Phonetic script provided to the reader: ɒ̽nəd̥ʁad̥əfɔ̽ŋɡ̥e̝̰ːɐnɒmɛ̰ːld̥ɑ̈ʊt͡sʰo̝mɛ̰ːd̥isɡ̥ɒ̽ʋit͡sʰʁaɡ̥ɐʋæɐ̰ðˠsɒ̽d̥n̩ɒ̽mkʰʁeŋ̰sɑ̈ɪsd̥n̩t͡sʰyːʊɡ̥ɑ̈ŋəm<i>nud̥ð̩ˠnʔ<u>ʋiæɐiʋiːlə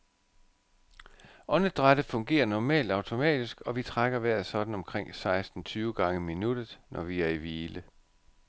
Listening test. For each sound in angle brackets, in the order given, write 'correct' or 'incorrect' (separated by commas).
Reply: correct, incorrect